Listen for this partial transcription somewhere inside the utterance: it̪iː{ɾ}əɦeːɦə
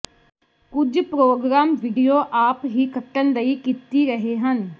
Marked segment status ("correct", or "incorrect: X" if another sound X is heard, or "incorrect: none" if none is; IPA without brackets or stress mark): correct